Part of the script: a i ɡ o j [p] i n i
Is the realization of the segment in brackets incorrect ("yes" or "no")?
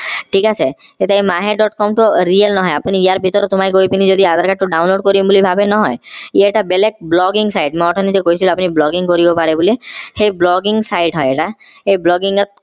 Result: no